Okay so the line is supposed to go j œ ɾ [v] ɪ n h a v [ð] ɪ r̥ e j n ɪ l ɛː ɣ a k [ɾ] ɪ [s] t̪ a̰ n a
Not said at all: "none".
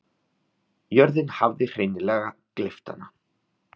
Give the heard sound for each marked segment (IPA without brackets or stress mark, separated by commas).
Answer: ð, ð, l, f